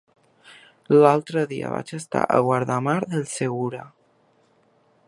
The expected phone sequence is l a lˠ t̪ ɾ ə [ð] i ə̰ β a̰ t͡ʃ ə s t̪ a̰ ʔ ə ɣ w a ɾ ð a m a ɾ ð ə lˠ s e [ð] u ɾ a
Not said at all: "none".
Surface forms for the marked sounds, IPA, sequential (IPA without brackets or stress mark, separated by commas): ð, ɣ